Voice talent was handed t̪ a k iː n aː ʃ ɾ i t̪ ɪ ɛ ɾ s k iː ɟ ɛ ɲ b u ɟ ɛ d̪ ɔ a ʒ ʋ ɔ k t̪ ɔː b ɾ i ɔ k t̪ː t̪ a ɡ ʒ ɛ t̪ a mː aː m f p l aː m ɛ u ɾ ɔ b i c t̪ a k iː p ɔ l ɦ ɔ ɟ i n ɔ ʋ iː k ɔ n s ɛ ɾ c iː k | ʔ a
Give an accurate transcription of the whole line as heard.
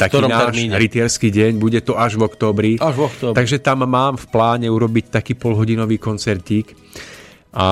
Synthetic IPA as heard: t̪ a k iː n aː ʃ ɾ i t̪ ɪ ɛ ɾ s k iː ɟ ɛ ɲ b u ɟ ɛ t̪ ɔ a ʒ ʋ ɔ k t̪ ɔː b ɾ i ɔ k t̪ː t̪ a ɡ ʒ ɛ t̪ a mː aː m f p l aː ɲ ɛ u ɾ ɔ b i c t̪ a k iː p ɔ l ɦ ɔ ɟ i n ɔ ʋ iː k ɔ n t͡s ɛ ɾ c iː k | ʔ a